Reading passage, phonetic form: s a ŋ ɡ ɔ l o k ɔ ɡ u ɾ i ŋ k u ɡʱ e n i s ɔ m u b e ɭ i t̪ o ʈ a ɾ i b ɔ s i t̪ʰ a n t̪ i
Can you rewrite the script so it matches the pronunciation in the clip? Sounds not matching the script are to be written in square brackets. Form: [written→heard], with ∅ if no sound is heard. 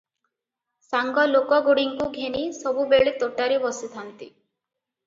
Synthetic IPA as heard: s a ŋ ɡ ɔ l o k ɔ ɡ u [ɾ→ɽ] i ŋ k u ɡʱ e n i s ɔ [m→b] u b e ɭ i t̪ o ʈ a ɾ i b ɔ s i t̪ʰ a n t̪ i